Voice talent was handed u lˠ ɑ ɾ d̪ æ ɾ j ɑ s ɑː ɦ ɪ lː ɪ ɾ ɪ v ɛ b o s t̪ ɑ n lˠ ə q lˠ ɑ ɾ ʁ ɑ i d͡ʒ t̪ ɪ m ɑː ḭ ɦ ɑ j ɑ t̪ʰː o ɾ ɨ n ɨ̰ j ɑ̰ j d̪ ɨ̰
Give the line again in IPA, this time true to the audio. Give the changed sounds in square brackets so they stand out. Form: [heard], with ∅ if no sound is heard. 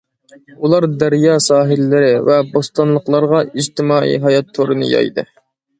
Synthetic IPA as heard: u lˠ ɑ ɾ d̪ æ ɾ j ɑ s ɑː ɦ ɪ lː ɪ ɾ ɪ v ɛ b o s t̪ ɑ n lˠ ə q lˠ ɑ ɾ ʁ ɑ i d͡ʒ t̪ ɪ m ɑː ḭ ɦ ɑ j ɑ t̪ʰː o ɾ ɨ n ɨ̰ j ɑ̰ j d̪ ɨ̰